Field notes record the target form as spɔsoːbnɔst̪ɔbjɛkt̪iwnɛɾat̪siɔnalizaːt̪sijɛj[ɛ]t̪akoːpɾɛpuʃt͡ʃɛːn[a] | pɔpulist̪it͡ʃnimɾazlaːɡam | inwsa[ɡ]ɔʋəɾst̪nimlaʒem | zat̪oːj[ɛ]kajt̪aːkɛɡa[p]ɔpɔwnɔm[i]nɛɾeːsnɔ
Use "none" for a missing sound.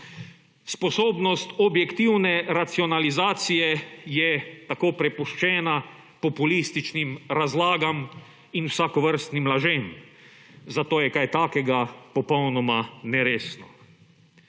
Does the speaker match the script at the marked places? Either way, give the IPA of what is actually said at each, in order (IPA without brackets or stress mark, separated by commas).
ɛ, a, k, ɛ, p, a